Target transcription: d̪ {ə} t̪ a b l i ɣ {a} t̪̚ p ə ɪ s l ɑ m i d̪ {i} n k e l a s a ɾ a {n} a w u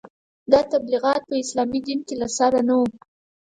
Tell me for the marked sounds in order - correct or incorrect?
incorrect: ɑ, incorrect: ɑ, correct, correct

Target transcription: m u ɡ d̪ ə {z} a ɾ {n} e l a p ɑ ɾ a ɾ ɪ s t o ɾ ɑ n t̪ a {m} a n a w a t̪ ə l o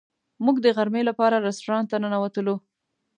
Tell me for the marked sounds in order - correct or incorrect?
incorrect: ɣ, incorrect: m, incorrect: n

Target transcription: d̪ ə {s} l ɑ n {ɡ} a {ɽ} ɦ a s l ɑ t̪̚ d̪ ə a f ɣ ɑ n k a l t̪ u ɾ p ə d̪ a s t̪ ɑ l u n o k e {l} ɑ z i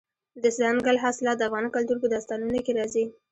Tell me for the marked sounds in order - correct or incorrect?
correct, correct, incorrect: l, incorrect: ɾ

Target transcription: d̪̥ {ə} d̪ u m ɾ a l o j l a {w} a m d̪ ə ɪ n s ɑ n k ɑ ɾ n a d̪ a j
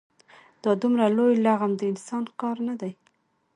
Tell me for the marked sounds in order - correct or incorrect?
incorrect: ɑ, incorrect: ɣ

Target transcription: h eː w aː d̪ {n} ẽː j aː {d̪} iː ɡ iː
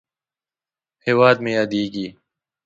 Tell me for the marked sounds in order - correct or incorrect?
incorrect: m, correct

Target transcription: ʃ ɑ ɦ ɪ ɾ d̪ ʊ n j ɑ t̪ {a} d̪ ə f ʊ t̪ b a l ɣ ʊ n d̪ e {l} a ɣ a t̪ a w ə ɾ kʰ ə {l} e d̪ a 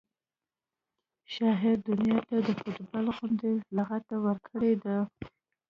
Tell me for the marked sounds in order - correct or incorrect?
correct, correct, incorrect: ɽ

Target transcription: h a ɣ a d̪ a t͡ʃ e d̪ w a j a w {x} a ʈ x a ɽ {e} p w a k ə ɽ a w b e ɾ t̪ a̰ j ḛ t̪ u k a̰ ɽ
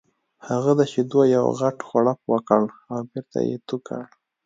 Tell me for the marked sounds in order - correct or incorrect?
incorrect: ɣ, incorrect: a

